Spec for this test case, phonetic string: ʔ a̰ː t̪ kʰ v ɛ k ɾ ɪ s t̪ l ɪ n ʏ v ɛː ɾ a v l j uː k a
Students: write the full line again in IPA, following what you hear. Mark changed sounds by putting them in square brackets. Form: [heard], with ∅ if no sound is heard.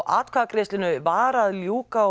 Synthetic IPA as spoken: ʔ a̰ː t̪ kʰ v [a] k ɾ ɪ s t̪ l ɪ n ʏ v [aː] ɾ a [ð] l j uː k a